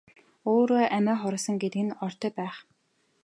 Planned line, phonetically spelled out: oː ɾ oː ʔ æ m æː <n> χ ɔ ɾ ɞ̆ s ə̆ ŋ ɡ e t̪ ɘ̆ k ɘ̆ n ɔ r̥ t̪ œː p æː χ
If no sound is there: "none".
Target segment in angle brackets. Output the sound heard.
none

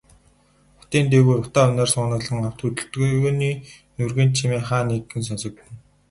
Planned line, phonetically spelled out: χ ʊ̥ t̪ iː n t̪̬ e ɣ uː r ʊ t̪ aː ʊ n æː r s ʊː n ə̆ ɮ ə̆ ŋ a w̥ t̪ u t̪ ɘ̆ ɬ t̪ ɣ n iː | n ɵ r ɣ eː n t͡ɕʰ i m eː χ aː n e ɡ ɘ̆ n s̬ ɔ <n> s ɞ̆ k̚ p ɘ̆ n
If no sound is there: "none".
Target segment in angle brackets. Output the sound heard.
n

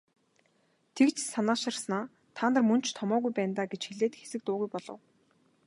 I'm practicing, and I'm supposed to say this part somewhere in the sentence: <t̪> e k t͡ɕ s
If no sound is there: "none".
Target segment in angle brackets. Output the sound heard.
t̪ʰ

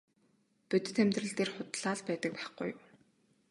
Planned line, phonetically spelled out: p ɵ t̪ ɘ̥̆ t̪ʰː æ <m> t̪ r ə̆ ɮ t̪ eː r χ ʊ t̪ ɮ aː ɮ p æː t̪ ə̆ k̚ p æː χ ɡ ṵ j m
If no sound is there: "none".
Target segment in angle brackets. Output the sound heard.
m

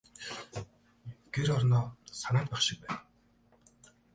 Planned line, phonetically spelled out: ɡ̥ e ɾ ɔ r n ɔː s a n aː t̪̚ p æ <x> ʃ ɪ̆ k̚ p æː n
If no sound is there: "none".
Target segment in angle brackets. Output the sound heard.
χ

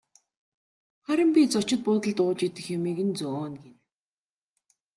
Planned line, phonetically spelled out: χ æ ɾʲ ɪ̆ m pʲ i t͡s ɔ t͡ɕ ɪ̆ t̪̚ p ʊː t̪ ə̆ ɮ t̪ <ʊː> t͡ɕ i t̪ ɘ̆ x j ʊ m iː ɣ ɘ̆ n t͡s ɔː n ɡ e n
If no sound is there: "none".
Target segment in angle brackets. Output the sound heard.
ʊː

